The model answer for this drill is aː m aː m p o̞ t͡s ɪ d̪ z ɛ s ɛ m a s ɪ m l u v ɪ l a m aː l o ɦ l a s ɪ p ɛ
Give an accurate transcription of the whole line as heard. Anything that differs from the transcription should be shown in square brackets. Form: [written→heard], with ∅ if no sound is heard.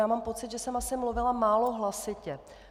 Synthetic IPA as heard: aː m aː m p o̞ t͡s ɪ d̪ [z→ʒ] ɛ s ɛ m a s ɪ m l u v ɪ l a m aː l o ɦ l a s ɪ [p→c] ɛ